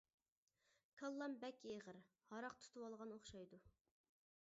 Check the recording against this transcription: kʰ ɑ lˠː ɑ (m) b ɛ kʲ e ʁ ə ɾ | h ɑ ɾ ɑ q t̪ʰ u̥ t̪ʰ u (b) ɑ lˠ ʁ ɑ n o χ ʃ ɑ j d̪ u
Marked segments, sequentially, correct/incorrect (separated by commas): correct, incorrect